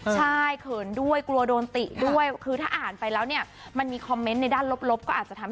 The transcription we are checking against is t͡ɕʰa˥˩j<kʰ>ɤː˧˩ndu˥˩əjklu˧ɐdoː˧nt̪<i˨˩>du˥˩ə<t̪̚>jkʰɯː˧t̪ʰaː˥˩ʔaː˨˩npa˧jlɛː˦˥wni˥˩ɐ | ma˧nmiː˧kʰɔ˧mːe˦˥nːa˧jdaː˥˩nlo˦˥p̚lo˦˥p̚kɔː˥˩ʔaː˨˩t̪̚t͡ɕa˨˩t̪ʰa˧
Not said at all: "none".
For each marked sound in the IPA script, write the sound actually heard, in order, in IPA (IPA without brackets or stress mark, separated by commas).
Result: kʰ, i˨˩, none